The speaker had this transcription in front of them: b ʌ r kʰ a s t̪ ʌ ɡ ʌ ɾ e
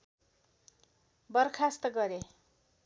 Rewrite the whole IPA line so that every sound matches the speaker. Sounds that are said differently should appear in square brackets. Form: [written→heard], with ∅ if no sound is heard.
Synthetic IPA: b ʌ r kʰ a s t̪ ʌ ɡ ʌ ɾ e